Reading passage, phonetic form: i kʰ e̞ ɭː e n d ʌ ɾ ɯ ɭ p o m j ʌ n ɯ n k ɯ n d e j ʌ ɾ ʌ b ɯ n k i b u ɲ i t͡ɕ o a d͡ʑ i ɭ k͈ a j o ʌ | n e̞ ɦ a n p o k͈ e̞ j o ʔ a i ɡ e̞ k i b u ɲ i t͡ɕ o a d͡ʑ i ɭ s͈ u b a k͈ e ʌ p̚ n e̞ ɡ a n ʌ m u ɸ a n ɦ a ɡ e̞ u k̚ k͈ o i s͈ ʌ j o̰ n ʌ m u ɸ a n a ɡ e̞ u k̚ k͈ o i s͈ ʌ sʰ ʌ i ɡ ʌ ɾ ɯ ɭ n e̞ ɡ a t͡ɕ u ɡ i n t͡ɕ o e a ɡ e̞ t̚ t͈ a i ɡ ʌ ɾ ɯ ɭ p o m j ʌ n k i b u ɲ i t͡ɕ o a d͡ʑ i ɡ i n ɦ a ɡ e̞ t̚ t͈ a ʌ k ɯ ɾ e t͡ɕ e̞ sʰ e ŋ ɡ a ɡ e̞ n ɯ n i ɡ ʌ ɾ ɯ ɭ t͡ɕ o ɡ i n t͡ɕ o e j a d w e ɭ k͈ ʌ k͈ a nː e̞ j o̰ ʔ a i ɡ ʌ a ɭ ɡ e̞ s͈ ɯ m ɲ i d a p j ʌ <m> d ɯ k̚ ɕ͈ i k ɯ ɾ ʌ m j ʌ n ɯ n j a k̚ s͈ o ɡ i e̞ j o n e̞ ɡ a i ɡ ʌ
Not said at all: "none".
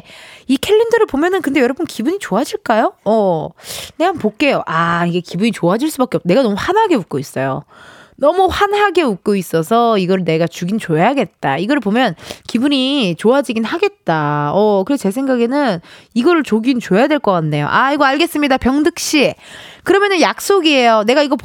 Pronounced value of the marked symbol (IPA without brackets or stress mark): ŋ